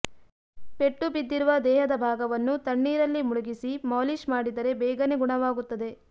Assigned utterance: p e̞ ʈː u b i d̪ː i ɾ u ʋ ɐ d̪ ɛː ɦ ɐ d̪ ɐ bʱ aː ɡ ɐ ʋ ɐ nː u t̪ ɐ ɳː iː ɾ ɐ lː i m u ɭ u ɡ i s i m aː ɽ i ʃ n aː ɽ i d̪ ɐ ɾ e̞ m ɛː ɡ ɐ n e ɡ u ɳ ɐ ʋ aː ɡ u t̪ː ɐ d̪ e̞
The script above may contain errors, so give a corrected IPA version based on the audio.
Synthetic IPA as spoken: p e̞ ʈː u b i d̪ː i ɾ u ʋ ɐ d̪ ɛː ɦ ɐ d̪ ɐ bʱ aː ɡ ɐ ʋ ɐ nː u t̪ ɐ ɳː iː ɾ ɐ lː i m u ɭ u ɡ i s i m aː l i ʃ m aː ɽ i d̪ ɐ ɾ e̞ b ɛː ɡ ɐ n e ɡ u ɳ ɐ ʋ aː ɡ u t̪ː ɐ d̪ e̞